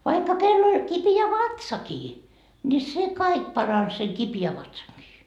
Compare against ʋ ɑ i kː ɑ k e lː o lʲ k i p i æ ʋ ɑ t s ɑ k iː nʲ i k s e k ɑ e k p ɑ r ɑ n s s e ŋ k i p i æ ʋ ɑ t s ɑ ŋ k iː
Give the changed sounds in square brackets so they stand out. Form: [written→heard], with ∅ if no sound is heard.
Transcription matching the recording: ʋ ɑ i kː ɑ k e lː o lʲ k i p i æ ʋ ɑ t s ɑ k iː nʲ i [k→∅] s e k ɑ [e→i] k p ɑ r ɑ n s s e ŋ k i p i æ ʋ ɑ t s ɑ ŋ k iː